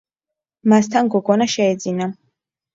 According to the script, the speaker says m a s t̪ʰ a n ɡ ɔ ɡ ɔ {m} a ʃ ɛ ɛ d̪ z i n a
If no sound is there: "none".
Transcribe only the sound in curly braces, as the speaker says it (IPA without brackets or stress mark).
n